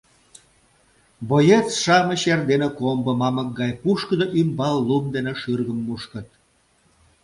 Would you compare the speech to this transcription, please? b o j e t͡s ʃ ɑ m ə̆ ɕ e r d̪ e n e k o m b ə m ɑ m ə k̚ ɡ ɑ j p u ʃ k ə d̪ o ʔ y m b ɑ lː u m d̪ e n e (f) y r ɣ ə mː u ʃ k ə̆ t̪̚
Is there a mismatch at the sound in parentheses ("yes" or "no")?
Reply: yes